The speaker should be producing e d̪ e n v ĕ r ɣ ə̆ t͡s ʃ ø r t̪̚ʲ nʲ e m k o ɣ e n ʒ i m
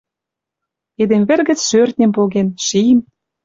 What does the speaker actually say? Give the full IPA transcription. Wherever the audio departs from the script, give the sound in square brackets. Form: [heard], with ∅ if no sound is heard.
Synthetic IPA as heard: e d̪ e [m] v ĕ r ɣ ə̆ t͡s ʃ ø r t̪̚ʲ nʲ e m [p] o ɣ e n [ʃ] i m